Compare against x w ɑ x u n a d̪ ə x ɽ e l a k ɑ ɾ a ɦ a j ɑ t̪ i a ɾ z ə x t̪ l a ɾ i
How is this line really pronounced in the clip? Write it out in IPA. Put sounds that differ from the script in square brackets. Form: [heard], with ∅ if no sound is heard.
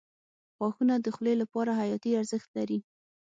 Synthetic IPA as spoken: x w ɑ x u n a d̪ ə x [l] e l a [p] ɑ ɾ a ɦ a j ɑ t̪ i a ɾ z ə x t̪ l a ɾ i